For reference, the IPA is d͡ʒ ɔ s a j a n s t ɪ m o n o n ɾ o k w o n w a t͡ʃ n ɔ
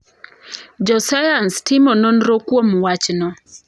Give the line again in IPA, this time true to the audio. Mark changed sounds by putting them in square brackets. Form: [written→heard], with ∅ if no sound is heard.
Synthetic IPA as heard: d͡ʒ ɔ s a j a n s t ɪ m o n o n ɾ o k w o [n→m] w a t͡ʃ n ɔ